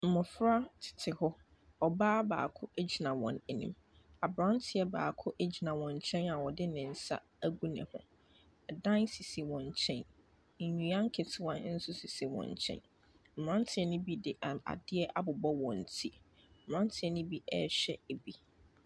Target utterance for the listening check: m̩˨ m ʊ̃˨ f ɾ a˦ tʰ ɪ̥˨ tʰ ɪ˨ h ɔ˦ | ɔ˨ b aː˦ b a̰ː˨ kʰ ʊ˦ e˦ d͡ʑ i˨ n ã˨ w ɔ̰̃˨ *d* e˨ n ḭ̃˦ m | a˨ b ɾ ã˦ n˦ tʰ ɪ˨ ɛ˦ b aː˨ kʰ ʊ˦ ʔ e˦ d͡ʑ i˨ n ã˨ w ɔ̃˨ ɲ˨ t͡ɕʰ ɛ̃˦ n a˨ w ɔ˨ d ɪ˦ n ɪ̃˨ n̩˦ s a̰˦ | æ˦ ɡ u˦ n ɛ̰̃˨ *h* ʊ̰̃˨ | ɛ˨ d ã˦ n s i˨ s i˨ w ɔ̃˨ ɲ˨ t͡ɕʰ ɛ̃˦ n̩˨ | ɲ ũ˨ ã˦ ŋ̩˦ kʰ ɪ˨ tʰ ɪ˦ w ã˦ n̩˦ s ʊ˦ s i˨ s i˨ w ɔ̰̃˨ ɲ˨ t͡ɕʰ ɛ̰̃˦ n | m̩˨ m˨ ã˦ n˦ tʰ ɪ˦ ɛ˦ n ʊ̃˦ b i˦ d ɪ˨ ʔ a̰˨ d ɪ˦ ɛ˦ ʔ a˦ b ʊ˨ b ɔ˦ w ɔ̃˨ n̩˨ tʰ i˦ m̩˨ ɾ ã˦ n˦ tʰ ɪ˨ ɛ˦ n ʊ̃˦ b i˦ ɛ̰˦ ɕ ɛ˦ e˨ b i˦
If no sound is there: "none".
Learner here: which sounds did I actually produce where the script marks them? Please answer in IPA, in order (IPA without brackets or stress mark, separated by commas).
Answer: n, h